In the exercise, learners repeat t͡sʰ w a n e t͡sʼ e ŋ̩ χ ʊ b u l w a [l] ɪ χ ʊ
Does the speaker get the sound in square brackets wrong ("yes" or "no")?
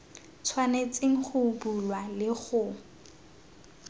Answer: no